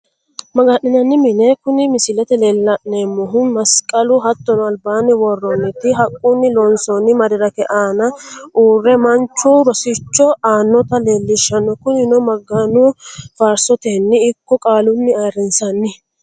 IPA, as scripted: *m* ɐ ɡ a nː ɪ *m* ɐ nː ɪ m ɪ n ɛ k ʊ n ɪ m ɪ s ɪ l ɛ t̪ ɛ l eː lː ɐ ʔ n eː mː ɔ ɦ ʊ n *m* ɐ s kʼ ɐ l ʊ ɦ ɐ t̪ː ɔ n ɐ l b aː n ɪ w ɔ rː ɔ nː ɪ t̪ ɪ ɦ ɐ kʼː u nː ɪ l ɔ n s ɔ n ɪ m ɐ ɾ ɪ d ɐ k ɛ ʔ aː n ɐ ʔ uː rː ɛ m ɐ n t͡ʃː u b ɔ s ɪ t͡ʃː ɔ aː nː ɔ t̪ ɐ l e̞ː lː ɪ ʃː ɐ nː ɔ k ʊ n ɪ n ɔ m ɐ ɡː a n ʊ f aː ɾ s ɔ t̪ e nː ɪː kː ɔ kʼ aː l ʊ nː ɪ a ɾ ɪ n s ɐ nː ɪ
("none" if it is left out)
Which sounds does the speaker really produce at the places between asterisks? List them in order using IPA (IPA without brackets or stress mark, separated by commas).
m, n, m